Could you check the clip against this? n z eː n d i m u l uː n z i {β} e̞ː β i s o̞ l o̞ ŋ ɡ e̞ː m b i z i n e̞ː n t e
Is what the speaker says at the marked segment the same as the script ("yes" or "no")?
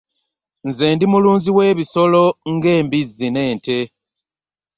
no